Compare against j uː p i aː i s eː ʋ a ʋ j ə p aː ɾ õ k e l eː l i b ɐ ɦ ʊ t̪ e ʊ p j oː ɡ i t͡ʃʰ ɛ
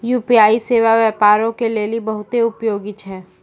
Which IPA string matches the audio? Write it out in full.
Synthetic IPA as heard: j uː p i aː i s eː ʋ a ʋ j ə p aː ɾ õ k e l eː l i b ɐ ɦ ʊ t̪ e ʊ p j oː ɡ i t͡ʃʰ ɛː